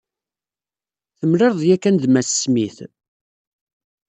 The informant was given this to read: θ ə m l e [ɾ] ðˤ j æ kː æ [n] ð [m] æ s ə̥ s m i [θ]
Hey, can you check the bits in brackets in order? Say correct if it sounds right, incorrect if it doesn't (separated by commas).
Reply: correct, correct, correct, correct